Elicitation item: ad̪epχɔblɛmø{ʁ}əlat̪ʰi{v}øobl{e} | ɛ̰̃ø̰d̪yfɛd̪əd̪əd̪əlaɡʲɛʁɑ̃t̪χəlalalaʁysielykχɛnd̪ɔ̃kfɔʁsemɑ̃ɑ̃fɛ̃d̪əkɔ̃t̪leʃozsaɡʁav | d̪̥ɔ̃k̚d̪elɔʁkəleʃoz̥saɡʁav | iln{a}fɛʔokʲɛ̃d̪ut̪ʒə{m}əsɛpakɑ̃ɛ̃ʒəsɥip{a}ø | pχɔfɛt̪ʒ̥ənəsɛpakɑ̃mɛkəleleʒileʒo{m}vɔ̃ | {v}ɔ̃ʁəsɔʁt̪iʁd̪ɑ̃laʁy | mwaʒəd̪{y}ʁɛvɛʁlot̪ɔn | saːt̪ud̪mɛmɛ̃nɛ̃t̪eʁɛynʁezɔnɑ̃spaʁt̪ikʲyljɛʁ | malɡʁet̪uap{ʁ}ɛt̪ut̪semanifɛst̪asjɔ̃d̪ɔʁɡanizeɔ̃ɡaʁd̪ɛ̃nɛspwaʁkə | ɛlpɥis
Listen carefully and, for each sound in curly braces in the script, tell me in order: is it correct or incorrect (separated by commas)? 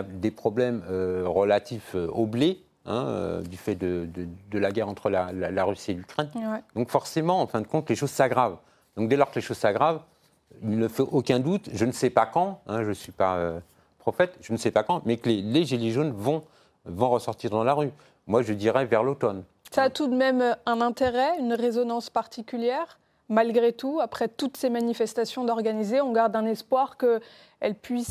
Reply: correct, incorrect, correct, incorrect, incorrect, correct, incorrect, correct, incorrect, incorrect